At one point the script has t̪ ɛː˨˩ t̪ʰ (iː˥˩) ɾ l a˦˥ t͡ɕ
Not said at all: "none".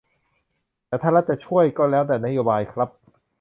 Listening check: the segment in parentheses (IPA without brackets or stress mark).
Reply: aː˥˩